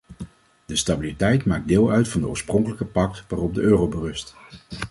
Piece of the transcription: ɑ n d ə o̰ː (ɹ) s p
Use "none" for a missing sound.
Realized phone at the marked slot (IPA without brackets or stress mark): ɹ